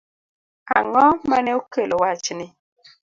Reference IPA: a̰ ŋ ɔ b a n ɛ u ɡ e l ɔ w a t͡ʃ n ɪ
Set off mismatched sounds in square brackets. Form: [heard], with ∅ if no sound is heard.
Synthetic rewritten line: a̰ ŋ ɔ [m] a n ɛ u [k] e l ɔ w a t͡ʃ n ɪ

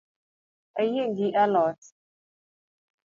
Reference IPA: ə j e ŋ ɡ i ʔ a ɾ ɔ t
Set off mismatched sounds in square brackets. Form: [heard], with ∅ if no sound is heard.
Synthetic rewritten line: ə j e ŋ ɡ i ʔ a [l] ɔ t

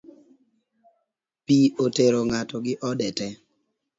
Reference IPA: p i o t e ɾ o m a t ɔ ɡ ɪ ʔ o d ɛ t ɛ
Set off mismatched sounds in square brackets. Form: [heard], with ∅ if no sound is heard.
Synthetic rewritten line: p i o t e ɾ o [ŋ] a t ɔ ɡ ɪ ʔ [ɔ] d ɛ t ɛ

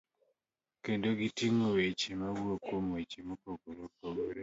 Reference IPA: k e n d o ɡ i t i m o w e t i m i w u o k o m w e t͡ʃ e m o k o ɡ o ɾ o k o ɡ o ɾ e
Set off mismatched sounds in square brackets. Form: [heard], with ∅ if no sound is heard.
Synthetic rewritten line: k e n d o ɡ i t i [ŋ] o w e [t͡ʃ] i m [a] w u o k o m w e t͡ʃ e m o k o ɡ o ɾ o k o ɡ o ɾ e

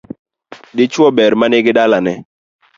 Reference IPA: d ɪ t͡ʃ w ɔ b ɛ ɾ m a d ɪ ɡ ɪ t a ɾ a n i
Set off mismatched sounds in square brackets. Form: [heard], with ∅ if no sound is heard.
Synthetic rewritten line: d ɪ t͡ʃ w ɔ b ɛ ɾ m a [n] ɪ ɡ ɪ [d] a [l] a n [ɛ]

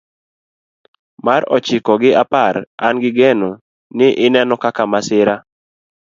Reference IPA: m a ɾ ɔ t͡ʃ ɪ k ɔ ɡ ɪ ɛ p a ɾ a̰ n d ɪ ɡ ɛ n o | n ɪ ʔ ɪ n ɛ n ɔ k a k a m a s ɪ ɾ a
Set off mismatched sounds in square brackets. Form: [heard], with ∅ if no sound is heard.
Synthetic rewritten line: m a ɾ ɔ t͡ʃ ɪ k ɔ ɡ ɪ [a] p a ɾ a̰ n [ɡ] ɪ ɡ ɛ n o | n ɪ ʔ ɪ n ɛ n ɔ k a k a m a s ɪ ɾ a

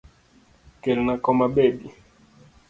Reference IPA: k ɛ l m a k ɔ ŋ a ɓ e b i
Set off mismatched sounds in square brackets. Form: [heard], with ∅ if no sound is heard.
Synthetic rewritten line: k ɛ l [n] a k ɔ [m] a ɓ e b i

